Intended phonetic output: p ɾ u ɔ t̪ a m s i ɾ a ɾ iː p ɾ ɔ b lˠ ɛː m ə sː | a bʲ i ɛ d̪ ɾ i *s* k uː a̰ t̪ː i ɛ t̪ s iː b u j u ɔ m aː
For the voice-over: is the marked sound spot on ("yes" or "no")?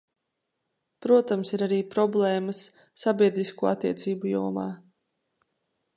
yes